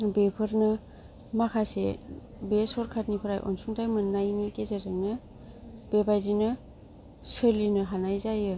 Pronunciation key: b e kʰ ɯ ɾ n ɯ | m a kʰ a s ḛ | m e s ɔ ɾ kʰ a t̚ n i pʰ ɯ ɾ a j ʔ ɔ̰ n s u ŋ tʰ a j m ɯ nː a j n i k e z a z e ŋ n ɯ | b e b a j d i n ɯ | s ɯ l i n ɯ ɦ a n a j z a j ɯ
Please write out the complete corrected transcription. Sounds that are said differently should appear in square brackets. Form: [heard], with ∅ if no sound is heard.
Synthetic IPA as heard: b e [pʰ] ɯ ɾ n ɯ | m a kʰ a s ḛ | [b] e s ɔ ɾ kʰ a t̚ n i pʰ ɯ ɾ a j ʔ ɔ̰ n s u ŋ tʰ a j m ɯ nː a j n i k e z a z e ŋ n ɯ | b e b a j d i n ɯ | s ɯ l i n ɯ ɦ a n a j z a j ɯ